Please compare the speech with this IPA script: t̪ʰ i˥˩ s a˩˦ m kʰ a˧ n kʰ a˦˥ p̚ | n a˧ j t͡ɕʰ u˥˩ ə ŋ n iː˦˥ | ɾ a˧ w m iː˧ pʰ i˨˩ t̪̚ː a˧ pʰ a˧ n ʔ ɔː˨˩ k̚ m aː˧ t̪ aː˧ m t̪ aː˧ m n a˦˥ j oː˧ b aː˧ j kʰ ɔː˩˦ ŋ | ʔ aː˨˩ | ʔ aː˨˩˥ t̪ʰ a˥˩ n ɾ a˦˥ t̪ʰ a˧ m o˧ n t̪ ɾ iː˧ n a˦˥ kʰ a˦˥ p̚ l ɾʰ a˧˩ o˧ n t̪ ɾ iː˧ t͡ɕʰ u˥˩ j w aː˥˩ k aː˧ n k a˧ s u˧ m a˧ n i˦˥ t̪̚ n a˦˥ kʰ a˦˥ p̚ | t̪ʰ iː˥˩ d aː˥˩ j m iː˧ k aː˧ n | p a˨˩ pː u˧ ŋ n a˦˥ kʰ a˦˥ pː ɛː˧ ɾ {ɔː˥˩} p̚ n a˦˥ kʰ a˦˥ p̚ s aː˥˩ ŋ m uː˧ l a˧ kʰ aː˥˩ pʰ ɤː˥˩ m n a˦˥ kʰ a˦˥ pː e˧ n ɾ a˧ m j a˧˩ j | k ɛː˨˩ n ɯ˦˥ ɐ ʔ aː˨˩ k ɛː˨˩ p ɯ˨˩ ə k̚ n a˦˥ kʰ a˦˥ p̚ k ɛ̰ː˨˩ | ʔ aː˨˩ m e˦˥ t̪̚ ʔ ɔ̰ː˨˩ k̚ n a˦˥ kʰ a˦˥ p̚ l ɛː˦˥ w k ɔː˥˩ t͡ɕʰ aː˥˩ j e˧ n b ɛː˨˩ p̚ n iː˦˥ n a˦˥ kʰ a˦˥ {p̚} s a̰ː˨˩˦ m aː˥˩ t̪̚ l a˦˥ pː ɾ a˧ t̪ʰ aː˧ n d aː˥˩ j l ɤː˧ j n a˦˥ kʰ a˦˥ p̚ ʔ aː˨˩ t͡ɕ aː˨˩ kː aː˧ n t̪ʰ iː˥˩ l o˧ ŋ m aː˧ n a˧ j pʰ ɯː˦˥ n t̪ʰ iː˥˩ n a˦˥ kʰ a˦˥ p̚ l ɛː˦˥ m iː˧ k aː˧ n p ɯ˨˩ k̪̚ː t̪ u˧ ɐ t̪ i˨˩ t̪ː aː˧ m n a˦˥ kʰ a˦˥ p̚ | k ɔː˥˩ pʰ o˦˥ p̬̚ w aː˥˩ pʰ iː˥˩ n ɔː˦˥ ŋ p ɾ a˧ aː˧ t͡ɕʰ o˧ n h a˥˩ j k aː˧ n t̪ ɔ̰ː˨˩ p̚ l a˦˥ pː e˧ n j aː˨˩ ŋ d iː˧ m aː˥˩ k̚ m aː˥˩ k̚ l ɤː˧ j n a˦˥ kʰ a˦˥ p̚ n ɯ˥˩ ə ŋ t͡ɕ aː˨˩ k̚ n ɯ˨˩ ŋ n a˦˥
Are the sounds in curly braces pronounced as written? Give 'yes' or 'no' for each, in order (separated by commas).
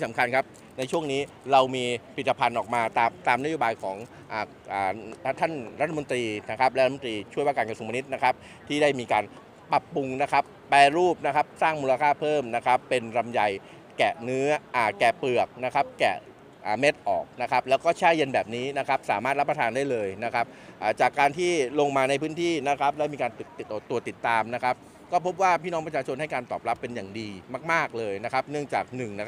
no, yes